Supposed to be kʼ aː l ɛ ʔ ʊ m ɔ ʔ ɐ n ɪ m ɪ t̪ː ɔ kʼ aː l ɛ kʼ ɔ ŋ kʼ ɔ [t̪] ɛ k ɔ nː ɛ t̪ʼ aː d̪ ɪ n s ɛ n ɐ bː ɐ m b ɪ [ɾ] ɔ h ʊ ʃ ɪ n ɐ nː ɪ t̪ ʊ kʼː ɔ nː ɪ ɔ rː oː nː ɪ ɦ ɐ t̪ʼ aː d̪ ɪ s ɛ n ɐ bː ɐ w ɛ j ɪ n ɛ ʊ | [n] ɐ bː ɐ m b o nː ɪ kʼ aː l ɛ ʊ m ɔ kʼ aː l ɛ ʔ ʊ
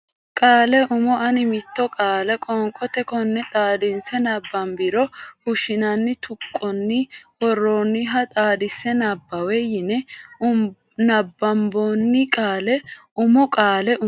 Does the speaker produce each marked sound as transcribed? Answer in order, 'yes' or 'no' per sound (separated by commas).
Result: yes, yes, yes